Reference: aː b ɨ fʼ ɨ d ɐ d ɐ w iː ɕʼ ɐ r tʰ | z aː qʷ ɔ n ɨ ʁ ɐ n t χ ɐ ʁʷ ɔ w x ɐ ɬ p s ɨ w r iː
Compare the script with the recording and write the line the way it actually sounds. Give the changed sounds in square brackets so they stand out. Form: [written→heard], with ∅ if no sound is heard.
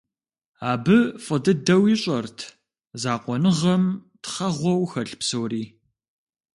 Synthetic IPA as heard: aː b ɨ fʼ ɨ d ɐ d ɐ w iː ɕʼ ɐ r tʰ | z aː qʷ ɔ n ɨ ʁ ɐ [n→m] t χ ɐ ʁʷ ɔ w x ɐ ɬ p s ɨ w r iː